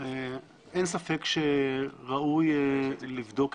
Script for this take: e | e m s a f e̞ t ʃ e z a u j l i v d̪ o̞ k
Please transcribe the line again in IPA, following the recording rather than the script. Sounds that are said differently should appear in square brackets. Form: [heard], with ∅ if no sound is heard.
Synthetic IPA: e | e [n] s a f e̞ [k] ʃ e [ʁ] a u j l i v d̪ o̞ k